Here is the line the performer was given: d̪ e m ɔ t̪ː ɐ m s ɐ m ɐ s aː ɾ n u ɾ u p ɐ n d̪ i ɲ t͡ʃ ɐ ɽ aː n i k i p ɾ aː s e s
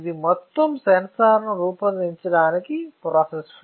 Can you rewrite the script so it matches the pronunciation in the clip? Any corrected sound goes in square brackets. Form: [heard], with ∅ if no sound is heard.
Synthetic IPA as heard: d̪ [i] m ɔ t̪ː ɐ m s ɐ [n] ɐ s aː ɾ n u ɾ [uː] p ɐ n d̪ i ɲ t͡ʃ ɐ ɽ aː n i k i p ɾ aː s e s